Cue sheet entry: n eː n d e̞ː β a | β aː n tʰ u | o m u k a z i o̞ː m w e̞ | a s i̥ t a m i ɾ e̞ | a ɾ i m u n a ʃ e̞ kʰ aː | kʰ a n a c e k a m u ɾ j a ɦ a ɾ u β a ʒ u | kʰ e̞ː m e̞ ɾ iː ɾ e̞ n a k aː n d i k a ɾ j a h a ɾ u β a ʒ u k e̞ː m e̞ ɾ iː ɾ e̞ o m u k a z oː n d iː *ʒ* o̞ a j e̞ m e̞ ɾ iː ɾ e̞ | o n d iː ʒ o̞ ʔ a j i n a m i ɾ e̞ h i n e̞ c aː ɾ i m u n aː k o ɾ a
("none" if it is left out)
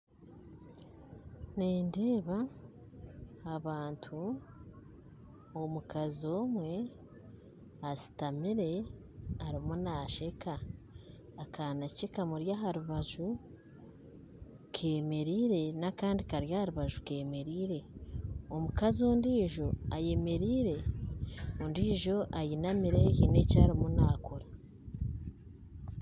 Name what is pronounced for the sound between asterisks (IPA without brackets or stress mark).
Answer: ʒ